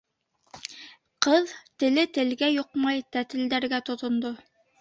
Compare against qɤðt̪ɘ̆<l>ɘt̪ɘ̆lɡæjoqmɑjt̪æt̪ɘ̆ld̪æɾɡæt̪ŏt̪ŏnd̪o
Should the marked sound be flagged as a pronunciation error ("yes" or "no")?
no